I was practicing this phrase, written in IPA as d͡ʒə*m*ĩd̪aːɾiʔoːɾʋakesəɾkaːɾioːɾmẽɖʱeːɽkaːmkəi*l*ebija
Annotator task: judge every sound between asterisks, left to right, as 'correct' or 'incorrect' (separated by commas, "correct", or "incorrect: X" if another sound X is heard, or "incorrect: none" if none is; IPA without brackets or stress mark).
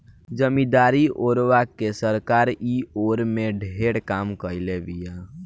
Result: correct, correct